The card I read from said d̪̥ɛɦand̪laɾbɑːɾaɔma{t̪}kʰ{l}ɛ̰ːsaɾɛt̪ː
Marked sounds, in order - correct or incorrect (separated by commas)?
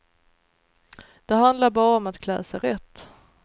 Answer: correct, correct